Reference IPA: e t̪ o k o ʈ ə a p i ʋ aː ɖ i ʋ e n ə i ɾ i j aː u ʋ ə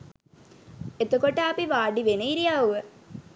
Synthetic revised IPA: e t̪ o k o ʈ ə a p i ʋ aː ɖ i ʋ e n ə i ɾ i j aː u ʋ ə